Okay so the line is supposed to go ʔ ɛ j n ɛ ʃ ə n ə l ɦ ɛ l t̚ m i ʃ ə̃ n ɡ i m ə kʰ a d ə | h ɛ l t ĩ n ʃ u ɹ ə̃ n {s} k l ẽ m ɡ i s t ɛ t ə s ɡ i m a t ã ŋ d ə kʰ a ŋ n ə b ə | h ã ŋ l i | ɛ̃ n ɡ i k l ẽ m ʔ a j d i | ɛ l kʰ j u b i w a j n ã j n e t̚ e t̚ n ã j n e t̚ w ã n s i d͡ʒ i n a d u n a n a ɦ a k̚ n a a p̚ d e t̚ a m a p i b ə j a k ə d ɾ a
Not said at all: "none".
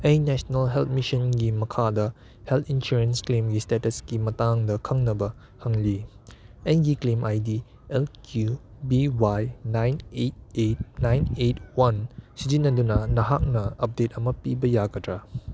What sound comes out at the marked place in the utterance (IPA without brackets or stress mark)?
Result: s